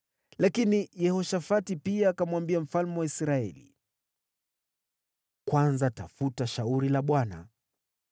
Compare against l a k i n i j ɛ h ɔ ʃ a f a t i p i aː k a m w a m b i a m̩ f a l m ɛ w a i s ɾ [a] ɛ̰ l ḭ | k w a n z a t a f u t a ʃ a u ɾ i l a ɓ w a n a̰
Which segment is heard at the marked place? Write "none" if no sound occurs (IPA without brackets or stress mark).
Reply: a